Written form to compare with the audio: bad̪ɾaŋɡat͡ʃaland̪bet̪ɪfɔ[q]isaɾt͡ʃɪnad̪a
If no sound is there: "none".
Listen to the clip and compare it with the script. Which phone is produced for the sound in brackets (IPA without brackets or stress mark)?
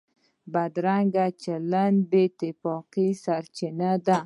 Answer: q